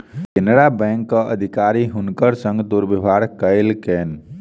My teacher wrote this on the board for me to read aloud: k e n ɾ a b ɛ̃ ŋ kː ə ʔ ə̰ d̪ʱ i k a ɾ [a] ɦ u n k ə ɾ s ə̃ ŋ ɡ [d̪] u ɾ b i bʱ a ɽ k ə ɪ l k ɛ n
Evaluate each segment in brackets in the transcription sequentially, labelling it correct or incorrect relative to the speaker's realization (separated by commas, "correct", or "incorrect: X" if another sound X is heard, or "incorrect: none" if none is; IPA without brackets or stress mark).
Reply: incorrect: i, correct